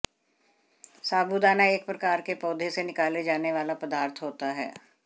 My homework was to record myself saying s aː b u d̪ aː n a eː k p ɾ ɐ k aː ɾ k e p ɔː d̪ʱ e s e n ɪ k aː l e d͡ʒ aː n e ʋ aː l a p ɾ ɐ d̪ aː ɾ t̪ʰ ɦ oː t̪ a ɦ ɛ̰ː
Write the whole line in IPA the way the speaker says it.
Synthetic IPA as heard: s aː b u d̪ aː n a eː k p ɾ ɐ k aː ɾ k e p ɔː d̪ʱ e s e n ɪ k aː l e d͡ʒ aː n e ʋ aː l a p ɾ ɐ d̪ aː ɾ t̪ʰ ɦ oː t̪ a ɦ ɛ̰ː